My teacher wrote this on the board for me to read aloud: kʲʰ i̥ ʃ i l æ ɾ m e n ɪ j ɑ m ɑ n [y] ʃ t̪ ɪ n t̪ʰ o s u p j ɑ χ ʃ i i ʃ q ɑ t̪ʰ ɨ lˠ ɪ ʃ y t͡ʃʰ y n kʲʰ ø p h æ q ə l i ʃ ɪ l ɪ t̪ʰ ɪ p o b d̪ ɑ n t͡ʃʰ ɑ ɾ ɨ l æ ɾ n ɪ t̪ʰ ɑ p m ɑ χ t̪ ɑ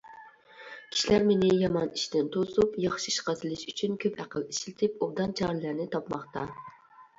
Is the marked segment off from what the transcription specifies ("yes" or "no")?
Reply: yes